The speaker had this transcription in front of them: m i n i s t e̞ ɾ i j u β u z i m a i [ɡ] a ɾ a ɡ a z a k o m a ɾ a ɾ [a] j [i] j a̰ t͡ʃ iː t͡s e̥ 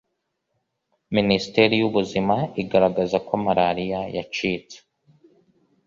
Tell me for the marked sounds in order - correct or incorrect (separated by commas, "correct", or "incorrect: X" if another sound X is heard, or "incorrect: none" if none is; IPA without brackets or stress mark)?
correct, incorrect: i, incorrect: a